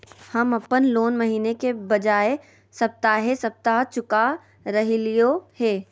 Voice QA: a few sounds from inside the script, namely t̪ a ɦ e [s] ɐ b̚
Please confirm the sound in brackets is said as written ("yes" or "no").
yes